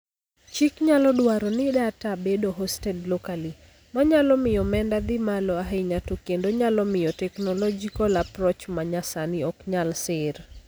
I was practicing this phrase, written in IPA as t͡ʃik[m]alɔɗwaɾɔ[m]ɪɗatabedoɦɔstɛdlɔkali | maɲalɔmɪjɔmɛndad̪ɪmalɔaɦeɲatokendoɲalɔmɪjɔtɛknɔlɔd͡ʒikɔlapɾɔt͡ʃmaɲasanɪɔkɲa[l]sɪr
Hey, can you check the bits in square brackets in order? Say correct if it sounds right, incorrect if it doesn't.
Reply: incorrect, incorrect, correct

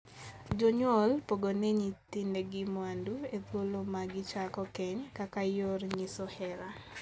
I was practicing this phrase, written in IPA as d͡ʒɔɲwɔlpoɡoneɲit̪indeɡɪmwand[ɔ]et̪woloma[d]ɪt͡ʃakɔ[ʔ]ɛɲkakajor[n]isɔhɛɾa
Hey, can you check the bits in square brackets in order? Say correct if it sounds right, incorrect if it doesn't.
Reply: incorrect, incorrect, incorrect, incorrect

